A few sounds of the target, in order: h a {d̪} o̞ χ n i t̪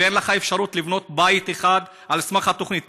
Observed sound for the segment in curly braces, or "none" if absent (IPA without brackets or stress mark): t̪